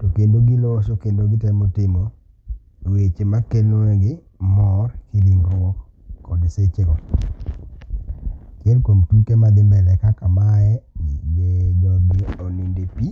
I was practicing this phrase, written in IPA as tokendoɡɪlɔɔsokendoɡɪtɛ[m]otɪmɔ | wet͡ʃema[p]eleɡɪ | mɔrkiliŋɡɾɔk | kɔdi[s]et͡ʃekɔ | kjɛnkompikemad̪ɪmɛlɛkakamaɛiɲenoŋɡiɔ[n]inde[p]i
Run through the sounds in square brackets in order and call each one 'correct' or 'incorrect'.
correct, incorrect: k, correct, correct, correct

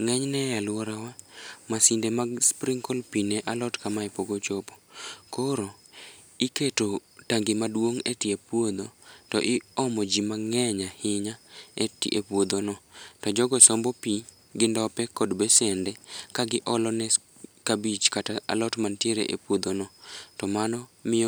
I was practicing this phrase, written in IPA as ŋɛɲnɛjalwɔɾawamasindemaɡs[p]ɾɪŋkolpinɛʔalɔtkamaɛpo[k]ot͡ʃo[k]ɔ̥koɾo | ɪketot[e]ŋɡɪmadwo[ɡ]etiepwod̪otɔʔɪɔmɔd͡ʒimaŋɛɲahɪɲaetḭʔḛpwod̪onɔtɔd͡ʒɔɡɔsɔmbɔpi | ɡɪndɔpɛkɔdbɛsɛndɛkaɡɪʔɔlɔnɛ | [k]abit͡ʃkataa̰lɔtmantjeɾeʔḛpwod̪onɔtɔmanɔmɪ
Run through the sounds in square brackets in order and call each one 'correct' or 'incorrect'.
correct, incorrect: ɡ, incorrect: p, incorrect: a, incorrect: ŋ, correct

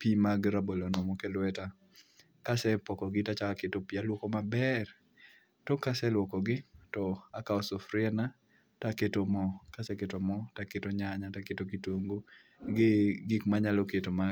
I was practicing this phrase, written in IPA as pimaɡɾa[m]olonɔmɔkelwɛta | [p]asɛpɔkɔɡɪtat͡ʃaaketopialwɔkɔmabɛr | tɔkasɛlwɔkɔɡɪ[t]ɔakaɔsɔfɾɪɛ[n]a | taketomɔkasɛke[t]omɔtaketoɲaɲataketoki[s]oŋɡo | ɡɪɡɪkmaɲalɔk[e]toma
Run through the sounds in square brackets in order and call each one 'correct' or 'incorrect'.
incorrect: b, incorrect: k, correct, correct, correct, incorrect: t, correct

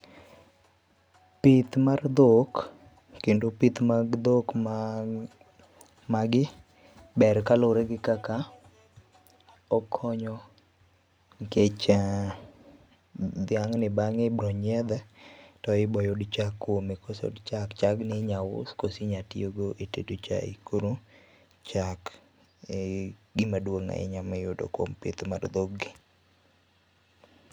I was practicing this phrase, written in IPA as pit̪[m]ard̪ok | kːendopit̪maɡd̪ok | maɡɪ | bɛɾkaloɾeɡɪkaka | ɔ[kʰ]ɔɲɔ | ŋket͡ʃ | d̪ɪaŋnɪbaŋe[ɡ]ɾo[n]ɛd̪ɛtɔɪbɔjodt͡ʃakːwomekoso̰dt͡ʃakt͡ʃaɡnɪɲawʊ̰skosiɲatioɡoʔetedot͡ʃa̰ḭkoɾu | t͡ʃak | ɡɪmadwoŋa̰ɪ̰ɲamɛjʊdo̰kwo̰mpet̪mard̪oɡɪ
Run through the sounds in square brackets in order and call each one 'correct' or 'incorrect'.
correct, correct, incorrect: b, incorrect: ɲ

